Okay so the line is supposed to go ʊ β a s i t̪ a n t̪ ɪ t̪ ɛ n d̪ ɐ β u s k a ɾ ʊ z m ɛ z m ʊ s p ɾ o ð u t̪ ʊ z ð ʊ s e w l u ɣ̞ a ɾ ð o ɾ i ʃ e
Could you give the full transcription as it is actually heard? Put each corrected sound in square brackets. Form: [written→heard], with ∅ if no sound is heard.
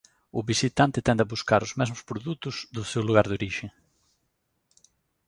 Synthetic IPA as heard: ʊ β [a→i] s i t̪ a n t̪ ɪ t̪ ɛ n d̪ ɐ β u s k a ɾ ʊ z m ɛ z m ʊ s p ɾ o ð u t̪ ʊ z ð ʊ s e w l u ɣ̞ a ɾ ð o ɾ i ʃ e